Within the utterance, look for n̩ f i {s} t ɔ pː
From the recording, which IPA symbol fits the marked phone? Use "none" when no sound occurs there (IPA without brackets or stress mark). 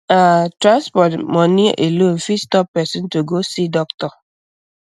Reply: s